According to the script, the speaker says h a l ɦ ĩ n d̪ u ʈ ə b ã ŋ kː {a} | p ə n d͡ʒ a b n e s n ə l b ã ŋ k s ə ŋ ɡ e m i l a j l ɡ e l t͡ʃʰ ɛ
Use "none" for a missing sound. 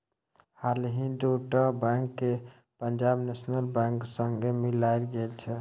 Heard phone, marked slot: e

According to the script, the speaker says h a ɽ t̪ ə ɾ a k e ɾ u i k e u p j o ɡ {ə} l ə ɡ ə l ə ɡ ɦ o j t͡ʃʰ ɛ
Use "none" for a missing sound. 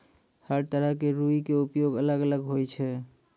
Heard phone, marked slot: ə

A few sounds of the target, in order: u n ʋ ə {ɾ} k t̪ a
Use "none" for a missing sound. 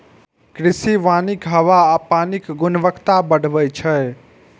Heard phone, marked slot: none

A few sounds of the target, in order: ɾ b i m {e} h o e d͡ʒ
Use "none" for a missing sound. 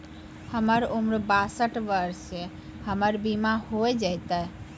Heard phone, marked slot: a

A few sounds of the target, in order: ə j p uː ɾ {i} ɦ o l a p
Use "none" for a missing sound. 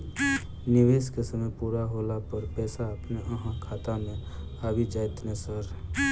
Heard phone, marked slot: a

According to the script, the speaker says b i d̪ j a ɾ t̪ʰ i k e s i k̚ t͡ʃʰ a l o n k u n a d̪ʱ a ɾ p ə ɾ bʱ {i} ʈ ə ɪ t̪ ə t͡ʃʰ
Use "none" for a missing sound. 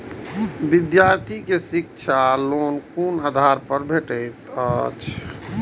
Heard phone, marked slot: e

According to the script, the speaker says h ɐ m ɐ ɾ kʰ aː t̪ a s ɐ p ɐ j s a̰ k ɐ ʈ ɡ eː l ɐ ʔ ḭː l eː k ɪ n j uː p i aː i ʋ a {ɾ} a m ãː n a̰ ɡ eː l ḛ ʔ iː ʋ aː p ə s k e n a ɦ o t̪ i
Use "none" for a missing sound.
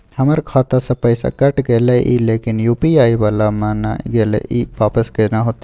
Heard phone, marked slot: l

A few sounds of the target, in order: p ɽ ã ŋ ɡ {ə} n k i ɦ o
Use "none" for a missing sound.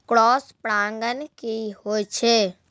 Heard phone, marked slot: ə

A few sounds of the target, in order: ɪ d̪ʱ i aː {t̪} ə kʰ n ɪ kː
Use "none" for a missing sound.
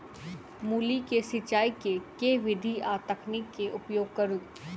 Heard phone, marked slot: t̪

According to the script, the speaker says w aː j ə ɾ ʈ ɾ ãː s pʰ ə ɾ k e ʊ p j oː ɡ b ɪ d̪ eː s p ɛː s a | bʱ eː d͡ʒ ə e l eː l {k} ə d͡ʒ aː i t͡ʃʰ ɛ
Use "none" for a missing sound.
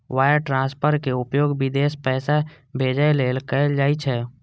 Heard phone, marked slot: k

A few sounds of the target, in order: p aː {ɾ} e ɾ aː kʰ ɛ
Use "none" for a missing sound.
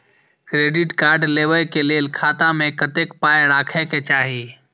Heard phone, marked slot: none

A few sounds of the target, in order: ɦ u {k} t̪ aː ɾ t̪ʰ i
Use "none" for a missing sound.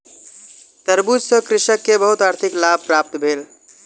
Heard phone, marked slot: none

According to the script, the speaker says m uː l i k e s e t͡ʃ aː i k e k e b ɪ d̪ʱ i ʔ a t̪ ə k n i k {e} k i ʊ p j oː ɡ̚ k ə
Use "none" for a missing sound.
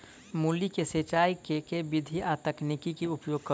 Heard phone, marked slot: i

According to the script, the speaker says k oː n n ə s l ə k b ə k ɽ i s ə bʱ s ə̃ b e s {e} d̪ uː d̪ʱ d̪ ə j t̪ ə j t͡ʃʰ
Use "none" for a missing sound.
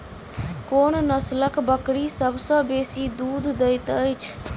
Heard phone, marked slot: i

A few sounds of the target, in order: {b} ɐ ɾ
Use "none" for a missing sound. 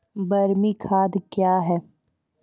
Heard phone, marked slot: b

